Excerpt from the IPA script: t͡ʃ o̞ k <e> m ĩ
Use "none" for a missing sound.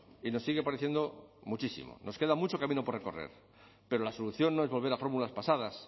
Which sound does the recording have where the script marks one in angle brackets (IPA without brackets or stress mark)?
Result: a